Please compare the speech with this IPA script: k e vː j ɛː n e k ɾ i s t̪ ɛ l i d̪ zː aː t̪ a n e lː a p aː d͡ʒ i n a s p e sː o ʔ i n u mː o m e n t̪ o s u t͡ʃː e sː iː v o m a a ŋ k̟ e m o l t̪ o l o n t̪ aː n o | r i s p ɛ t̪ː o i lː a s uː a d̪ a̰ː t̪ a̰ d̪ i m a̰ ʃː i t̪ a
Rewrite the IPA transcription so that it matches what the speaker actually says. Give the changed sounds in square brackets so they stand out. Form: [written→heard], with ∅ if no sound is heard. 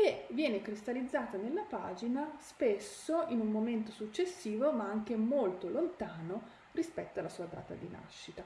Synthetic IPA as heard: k e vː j ɛː n e k ɾ i s t̪ [ɛ→a] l i d̪ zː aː t̪ a n e lː a p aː d͡ʒ i n a s p e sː o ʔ i n u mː o m e n t̪ o s u t͡ʃː e sː iː v o m a a ŋ k̟ e m o l t̪ o l o n t̪ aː n o | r i s p ɛ t̪ː o [i→a] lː a s uː a d̪ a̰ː t̪ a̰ d̪ i [m→n] a̰ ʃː i t̪ a